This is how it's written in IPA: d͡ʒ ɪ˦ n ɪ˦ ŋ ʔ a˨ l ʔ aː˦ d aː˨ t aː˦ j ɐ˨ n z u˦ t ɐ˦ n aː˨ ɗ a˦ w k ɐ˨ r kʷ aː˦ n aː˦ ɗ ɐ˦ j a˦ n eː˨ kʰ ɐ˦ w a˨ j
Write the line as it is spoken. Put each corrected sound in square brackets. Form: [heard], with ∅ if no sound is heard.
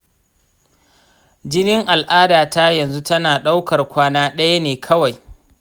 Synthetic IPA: d͡ʒ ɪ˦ n ɪ˦ ŋ ʔ a˨ l ʔ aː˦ d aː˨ t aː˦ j ɐ˨ n z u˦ t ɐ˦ n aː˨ ɗ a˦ w k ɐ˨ r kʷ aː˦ n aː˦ ɗ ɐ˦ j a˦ n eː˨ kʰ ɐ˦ w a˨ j